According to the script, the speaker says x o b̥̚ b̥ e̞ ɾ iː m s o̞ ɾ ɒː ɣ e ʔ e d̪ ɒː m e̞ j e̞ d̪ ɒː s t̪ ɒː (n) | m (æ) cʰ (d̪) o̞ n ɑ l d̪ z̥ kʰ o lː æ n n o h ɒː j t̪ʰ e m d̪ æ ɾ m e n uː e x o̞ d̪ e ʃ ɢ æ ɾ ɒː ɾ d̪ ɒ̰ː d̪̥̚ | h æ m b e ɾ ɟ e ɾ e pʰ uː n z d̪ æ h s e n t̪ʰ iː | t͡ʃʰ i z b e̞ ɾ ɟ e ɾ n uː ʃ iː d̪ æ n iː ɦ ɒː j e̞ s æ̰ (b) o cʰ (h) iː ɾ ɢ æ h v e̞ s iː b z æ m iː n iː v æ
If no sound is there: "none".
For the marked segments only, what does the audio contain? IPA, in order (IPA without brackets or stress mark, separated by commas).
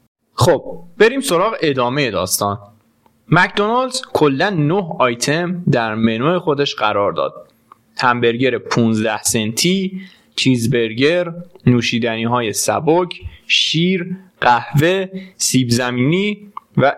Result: n, æ, d̪, b, ʃ